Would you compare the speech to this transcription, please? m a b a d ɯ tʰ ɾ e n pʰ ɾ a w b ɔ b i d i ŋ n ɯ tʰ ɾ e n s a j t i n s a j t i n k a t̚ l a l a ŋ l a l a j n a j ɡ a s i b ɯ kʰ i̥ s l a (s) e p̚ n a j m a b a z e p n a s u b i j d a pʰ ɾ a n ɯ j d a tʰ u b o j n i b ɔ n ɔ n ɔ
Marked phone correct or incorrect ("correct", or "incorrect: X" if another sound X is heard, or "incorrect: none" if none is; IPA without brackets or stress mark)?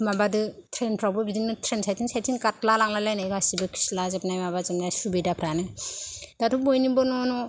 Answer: incorrect: z